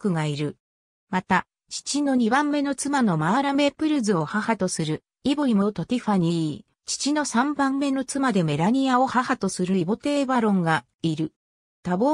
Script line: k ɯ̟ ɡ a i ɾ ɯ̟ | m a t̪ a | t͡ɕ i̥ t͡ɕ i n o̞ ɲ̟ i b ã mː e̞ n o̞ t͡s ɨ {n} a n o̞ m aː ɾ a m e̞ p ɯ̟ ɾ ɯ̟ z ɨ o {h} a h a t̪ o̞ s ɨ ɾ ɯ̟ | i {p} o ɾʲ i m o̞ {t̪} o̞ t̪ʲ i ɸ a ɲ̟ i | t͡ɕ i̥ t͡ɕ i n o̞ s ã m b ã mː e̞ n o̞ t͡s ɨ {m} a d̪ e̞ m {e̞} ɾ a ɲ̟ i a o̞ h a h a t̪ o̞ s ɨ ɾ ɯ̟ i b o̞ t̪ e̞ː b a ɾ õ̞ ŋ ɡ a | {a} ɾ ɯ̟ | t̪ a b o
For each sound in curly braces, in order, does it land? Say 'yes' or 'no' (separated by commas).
no, yes, no, yes, yes, yes, no